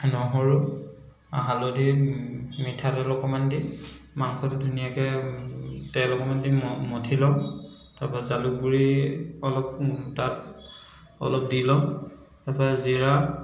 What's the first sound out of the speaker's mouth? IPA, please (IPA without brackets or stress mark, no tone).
n